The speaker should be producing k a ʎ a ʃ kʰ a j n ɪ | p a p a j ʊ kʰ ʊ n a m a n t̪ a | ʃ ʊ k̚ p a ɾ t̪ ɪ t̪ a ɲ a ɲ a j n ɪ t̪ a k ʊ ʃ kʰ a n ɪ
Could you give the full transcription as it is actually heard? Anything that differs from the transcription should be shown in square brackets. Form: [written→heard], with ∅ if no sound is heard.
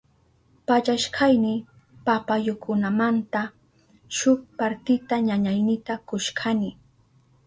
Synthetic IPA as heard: [k→p] a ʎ a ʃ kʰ a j n ɪ | p a p a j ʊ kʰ ʊ n a m a n t̪ a | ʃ ʊ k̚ p a ɾ t̪ ɪ t̪ a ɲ a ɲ a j n ɪ t̪ a k ʊ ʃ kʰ a n ɪ